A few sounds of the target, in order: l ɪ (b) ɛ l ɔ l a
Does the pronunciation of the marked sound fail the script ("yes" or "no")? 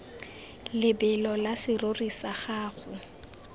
no